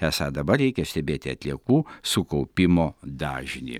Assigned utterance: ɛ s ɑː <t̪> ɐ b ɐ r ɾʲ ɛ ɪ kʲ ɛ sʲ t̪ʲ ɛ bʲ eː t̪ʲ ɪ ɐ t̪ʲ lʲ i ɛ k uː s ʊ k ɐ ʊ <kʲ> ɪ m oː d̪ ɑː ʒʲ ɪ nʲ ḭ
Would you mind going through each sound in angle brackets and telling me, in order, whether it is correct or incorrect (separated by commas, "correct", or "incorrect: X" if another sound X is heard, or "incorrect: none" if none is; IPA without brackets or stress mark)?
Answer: incorrect: d̪, incorrect: pʲ